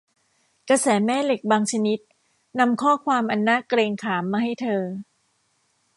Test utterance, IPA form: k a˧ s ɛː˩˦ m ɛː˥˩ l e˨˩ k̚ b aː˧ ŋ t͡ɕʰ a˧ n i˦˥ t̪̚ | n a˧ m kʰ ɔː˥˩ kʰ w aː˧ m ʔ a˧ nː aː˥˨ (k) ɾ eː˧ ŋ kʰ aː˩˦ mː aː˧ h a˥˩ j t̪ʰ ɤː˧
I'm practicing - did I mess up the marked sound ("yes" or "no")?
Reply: no